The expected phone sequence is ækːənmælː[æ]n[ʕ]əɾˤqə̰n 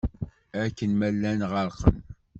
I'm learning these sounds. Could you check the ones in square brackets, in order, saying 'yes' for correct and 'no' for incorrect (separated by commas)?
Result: yes, no